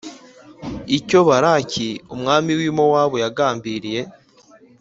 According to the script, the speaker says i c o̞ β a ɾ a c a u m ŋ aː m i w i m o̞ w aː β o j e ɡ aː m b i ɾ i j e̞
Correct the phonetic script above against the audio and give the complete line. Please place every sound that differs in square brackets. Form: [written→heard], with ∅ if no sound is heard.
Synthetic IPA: i c o̞ β a ɾ a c [a→i] u m ŋ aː m i w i m o̞ w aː β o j [e→a] ɡ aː m b i ɾ i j e̞